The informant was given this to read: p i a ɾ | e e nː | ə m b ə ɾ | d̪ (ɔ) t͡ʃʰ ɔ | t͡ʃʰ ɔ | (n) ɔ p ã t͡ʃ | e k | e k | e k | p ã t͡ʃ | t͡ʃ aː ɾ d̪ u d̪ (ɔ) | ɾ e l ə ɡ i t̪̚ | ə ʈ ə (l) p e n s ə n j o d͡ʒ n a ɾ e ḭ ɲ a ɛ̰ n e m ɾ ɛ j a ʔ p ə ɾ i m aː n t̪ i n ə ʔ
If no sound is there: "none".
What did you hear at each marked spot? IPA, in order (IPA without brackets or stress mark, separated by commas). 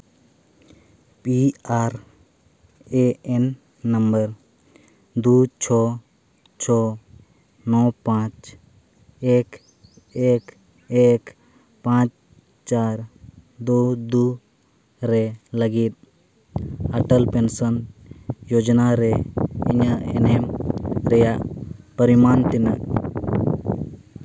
u, n, u, l